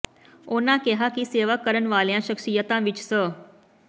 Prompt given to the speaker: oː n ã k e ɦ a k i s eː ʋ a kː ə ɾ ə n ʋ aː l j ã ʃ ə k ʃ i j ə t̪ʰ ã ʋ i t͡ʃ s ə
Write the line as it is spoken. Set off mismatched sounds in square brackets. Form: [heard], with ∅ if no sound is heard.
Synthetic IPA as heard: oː n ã k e ɦ a k i s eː ʋ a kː ə ɾ ə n ʋ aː l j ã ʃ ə k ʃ i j ə [t̪] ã ʋ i t͡ʃ s ə